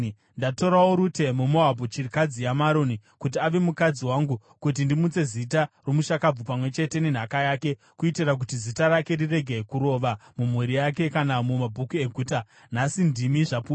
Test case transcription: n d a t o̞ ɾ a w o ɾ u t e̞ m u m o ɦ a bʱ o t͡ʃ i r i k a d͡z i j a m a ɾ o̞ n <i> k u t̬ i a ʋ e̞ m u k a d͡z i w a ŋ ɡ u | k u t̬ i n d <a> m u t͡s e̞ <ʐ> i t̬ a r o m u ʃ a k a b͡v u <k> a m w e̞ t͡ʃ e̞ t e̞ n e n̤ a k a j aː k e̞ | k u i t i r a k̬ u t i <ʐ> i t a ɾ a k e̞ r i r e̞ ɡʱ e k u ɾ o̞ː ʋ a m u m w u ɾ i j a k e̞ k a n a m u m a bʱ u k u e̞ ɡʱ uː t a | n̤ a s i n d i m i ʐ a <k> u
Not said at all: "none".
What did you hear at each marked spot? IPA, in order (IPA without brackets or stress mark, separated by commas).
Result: i, i, z, p, z, p